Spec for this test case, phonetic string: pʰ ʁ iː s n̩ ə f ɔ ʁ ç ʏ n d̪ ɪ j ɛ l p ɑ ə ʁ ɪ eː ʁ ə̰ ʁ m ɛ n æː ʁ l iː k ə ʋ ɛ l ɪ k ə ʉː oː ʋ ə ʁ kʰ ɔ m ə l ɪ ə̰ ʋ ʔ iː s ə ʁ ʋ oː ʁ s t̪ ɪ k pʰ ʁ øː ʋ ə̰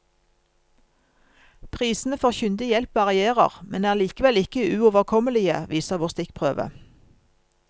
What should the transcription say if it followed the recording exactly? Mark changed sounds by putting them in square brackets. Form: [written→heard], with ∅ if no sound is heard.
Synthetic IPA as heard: pʰ ʁ iː s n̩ ə f ɔ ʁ ç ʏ n d̪ ɪ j ɛ l p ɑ [ə→ɑ] ʁ ɪ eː ʁ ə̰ ʁ m ɛ n æː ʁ l iː k ə ʋ ɛ l ɪ k ə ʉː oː ʋ ə ʁ kʰ ɔ m ə l ɪ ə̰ ʋ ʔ iː s ə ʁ ʋ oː ʁ s t̪ ɪ k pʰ ʁ øː ʋ ə̰